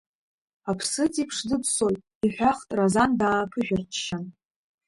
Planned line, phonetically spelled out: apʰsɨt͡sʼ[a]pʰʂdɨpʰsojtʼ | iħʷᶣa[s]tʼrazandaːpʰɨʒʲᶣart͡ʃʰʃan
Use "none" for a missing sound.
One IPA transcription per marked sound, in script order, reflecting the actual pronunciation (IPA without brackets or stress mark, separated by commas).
i, χ